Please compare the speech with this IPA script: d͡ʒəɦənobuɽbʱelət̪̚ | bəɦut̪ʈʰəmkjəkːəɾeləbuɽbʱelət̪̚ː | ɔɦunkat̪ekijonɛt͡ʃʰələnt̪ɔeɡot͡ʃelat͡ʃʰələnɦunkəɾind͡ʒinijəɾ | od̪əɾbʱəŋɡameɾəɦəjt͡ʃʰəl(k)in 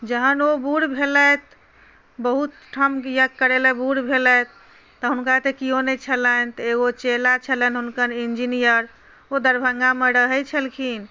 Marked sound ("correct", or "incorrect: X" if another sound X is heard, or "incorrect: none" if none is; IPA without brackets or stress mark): incorrect: kʰ